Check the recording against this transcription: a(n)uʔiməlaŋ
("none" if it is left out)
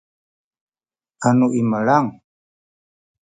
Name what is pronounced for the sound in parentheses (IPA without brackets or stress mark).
n